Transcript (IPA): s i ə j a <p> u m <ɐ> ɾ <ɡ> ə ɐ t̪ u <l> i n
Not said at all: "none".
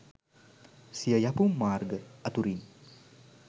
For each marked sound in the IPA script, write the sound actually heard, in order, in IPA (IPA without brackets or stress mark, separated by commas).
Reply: p, a, ɡ, ɾ